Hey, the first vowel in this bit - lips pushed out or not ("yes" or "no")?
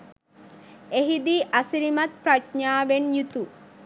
no